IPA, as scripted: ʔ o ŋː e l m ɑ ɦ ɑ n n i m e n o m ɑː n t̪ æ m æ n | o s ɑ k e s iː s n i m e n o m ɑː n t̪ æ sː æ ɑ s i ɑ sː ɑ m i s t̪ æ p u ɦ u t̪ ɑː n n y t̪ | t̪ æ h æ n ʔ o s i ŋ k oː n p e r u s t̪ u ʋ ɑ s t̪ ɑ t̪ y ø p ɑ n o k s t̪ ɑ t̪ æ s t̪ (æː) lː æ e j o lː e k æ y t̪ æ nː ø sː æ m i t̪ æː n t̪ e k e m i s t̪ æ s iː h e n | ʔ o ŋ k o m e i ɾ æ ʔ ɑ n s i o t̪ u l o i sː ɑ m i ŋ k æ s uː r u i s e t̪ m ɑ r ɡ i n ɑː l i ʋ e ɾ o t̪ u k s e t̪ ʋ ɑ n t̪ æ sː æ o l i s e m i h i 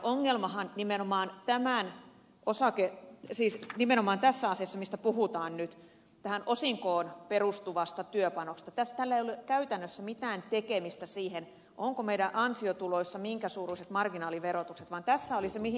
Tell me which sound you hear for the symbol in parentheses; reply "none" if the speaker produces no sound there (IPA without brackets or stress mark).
æ